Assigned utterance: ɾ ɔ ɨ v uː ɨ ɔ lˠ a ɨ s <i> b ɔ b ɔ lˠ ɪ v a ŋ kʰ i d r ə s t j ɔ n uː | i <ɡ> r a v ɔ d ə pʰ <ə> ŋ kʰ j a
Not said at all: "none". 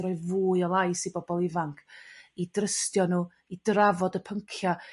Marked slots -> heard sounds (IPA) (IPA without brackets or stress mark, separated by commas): i, d, ə